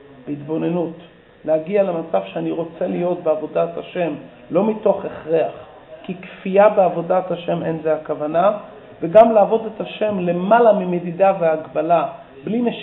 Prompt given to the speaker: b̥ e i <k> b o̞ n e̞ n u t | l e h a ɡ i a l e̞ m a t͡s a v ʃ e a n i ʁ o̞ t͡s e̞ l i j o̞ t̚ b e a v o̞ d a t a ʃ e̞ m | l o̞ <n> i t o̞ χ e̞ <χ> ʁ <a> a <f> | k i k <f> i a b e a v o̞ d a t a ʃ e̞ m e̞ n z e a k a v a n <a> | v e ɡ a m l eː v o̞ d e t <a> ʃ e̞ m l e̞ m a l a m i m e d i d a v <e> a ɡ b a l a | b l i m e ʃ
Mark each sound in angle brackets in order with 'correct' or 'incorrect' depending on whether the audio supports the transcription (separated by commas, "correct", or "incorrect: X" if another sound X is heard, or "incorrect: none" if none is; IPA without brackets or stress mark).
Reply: incorrect: t, incorrect: m, correct, incorrect: e, incorrect: χ, correct, correct, correct, correct